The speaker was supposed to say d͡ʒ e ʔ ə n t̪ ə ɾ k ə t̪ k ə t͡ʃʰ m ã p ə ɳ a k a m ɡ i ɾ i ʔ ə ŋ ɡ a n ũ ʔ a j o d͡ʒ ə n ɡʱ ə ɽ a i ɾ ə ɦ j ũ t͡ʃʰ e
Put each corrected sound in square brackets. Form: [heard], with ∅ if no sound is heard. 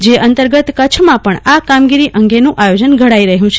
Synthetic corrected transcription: d͡ʒ e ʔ ə n t̪ ə ɾ [ɡ] ə t̪ k ə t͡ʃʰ m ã p ə ɳ a k a m ɡ i ɾ i ʔ ə ŋ ɡ [e] n ũ ʔ a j o d͡ʒ ə n ɡʱ ə ɽ a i ɾ ə ɦ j ũ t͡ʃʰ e